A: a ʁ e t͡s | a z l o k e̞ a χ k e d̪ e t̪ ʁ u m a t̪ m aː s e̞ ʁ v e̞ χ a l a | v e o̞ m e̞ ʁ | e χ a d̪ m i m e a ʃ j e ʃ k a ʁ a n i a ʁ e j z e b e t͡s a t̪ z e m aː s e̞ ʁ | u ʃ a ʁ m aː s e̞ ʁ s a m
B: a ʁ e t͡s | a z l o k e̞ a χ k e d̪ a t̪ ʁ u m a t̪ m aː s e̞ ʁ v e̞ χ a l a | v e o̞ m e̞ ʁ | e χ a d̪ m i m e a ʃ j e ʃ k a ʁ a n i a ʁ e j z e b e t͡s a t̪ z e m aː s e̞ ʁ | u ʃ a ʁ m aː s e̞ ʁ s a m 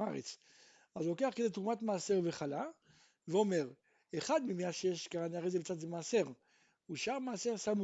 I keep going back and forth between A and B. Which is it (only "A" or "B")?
A